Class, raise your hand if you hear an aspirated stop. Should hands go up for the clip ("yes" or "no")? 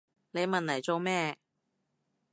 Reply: no